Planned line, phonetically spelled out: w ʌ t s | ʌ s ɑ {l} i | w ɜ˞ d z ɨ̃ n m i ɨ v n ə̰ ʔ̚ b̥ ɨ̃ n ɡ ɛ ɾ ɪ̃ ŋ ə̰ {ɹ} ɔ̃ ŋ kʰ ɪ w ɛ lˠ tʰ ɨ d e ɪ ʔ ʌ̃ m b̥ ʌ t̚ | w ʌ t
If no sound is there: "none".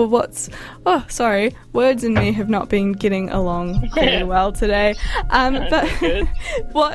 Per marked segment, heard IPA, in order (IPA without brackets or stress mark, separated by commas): ɹ, l